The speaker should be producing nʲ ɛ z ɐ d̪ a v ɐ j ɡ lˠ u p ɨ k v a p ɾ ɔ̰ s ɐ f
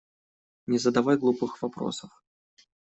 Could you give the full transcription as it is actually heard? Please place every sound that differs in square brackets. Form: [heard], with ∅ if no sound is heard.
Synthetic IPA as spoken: nʲ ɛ z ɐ d̪ a v [a] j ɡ lˠ u p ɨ [x] v a p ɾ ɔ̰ s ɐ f